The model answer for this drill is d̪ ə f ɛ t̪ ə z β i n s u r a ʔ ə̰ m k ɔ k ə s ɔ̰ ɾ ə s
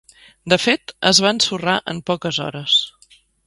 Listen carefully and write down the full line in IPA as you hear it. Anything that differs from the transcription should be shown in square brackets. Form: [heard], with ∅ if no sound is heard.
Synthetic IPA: d̪ ə f [e] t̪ ə z β [a] n s u r a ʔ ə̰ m [p] ɔ k ə [z] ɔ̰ ɾ ə s